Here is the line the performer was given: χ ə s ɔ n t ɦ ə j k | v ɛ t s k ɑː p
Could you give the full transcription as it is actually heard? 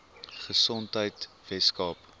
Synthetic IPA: χ ə s ɔ n t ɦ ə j t | v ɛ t s k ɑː p